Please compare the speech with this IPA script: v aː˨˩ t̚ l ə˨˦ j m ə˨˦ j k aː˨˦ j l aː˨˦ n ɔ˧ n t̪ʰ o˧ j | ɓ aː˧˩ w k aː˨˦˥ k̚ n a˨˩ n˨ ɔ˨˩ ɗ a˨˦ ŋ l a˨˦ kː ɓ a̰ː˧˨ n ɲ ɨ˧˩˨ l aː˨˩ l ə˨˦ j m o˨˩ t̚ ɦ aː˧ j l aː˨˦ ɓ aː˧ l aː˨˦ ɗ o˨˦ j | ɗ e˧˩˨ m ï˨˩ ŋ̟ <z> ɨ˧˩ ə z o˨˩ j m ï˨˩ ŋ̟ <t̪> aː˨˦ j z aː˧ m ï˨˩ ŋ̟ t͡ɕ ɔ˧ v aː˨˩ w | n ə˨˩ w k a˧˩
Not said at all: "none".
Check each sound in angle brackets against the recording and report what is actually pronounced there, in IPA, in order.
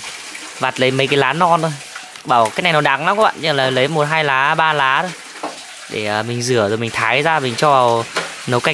z, t̪ʰ

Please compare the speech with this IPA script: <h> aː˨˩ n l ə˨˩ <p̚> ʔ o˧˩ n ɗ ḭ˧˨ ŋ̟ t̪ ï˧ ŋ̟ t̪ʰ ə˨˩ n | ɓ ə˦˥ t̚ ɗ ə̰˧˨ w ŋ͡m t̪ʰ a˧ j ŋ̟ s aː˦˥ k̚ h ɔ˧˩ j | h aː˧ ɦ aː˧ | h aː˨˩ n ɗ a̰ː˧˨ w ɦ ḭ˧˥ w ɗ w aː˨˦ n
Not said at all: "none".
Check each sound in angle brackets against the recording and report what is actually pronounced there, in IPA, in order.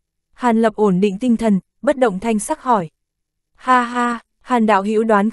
h, p̚

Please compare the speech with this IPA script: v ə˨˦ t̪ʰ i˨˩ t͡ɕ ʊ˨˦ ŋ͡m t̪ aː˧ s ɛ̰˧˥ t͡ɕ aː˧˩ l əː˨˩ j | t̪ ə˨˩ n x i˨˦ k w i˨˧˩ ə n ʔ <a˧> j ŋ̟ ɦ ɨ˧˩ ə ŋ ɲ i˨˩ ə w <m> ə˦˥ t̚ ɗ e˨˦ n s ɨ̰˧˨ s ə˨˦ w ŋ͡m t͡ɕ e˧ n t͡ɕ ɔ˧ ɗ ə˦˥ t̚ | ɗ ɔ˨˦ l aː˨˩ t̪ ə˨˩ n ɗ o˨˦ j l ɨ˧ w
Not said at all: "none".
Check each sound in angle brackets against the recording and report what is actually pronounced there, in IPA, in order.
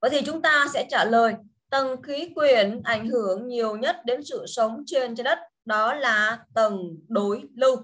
a˧˩, ɲ

